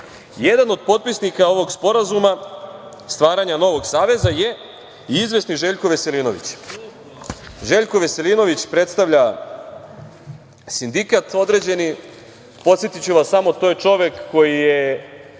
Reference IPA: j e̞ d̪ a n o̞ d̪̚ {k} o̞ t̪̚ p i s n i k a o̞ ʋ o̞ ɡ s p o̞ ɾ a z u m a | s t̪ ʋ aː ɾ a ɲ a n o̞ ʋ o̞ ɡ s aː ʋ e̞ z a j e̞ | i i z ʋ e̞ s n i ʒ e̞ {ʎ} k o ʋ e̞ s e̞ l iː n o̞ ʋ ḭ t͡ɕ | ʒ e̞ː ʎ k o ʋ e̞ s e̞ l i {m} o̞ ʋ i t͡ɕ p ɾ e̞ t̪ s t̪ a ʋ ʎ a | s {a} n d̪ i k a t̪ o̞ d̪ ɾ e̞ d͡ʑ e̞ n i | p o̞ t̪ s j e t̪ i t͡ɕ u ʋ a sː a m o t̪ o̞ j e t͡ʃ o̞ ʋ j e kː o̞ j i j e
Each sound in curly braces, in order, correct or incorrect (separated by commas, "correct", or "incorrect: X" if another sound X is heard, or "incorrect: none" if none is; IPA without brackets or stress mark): incorrect: p, correct, incorrect: n, incorrect: i